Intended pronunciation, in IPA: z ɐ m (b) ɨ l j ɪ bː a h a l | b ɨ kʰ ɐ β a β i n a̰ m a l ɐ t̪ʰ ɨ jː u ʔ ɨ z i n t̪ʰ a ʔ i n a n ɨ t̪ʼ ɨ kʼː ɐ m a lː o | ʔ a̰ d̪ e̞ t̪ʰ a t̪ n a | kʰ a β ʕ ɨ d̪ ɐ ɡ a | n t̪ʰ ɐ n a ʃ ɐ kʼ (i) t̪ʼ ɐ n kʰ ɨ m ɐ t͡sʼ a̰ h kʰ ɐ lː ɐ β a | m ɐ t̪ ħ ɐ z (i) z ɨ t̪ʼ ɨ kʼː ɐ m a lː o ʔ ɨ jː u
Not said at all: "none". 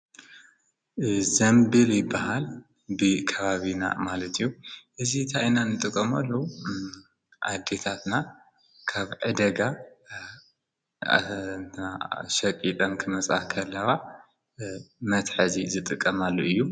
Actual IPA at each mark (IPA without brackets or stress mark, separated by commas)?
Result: b, i, i